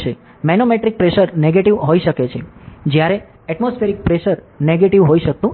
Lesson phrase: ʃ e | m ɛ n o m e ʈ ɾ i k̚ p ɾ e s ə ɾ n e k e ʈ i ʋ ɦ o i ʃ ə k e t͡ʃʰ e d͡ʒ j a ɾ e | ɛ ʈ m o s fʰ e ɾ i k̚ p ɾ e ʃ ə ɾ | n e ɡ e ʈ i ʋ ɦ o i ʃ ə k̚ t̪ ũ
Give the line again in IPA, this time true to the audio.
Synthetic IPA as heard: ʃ e | m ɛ n o m e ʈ ɾ i k̚ p ɾ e ʃ ə ɾ n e ɡ e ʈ i ʋ ɦ o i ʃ ə k e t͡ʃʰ e d͡ʒ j a ɾ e | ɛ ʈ m o s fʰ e ɾ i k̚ p ɾ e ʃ ə ɾ | n e ɡ e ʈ i ʋ ɦ o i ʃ ə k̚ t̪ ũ